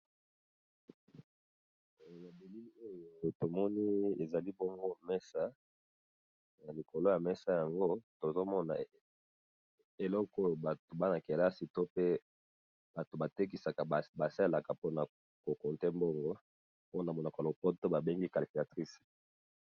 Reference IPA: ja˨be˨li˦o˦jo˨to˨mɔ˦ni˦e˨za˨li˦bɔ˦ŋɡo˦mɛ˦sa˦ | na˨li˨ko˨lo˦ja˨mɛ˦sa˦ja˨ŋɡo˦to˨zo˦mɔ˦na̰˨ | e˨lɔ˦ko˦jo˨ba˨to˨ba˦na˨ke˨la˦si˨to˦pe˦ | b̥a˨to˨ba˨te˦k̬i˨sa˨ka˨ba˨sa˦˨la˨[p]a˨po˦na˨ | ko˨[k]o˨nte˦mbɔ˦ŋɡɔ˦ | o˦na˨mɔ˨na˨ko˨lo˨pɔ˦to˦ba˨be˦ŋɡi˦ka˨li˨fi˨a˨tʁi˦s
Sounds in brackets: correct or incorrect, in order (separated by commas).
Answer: incorrect, correct